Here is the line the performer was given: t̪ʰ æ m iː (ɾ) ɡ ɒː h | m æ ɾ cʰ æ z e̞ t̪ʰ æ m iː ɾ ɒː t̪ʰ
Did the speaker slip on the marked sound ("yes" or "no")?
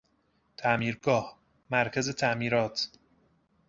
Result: no